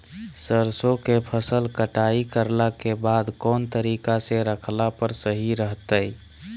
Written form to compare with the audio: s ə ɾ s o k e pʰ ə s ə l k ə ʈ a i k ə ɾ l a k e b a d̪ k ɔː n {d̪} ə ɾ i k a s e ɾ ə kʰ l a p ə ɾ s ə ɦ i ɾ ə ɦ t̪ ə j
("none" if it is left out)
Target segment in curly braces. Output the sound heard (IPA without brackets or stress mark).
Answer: t̪